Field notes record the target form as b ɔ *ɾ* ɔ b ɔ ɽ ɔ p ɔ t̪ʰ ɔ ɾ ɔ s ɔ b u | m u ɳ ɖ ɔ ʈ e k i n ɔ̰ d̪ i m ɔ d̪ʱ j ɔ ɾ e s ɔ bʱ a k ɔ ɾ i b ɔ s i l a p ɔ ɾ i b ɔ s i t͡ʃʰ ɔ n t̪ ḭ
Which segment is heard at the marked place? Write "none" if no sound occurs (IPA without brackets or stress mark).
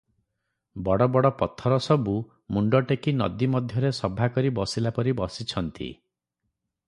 ɽ